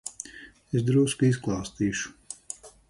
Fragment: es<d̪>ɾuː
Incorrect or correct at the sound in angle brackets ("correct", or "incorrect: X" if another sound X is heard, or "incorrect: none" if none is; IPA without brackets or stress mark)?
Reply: correct